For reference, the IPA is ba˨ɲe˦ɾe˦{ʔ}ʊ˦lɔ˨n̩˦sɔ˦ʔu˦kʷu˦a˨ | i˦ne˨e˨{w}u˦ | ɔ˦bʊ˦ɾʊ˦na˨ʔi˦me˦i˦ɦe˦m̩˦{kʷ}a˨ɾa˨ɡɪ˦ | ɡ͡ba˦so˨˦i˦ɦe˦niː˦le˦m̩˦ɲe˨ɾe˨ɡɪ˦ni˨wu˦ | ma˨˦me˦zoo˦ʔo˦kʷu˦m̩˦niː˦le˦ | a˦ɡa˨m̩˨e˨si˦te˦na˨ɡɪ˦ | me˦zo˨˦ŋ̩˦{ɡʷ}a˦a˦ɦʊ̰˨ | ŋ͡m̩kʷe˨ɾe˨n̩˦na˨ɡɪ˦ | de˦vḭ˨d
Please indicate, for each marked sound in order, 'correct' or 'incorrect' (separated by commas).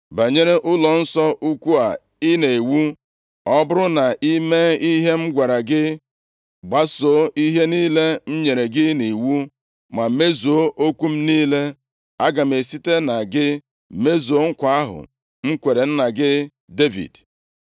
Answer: correct, correct, incorrect, incorrect